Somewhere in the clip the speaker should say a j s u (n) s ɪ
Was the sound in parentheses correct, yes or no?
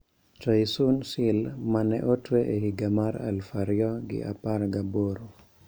yes